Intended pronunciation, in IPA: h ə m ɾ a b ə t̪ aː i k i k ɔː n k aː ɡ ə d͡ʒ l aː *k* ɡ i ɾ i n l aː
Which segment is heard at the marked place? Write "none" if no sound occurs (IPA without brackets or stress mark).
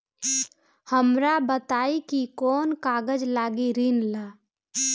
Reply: none